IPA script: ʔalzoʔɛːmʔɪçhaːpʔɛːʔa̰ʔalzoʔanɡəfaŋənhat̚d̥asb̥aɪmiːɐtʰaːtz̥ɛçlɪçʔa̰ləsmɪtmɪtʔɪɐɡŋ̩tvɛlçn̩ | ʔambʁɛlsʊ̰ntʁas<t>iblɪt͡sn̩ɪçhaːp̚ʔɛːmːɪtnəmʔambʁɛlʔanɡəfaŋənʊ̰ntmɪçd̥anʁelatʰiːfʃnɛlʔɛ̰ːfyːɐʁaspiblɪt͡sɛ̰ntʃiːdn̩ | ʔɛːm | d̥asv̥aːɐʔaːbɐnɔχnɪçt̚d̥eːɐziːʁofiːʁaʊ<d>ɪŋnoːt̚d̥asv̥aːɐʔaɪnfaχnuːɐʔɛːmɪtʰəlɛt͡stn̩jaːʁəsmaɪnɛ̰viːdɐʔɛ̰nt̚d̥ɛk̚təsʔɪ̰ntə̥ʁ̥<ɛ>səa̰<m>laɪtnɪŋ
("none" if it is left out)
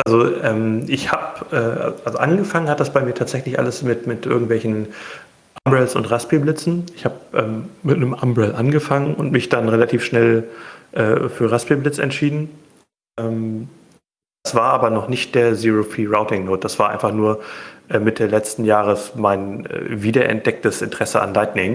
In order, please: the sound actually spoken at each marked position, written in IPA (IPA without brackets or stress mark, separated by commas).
p, t, ɛ, n